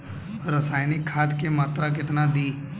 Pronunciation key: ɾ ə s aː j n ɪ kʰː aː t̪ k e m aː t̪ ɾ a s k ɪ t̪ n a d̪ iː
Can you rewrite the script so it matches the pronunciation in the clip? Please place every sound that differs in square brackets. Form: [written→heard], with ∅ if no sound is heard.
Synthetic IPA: ɾ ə s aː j n ɪ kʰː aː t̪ k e m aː t̪ ɾ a [s→∅] k ɪ t̪ n a d̪ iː